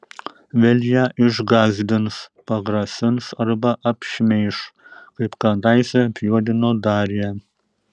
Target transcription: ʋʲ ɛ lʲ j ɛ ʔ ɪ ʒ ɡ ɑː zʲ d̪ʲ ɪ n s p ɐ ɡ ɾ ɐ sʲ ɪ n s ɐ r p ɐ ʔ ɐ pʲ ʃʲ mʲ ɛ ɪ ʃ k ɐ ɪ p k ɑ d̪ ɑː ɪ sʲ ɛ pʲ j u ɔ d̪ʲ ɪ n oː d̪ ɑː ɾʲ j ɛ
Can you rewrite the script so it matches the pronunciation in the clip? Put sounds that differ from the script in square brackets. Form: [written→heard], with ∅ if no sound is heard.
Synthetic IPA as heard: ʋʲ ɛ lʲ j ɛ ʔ ɪ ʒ ɡ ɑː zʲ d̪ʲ ɪ n s p ɐ ɡ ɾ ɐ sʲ ɪ n s ɐ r [p→b] ɐ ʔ ɐ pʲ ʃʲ mʲ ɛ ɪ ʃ k ɐ ɪ p k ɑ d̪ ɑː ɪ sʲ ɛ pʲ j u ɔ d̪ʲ ɪ n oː d̪ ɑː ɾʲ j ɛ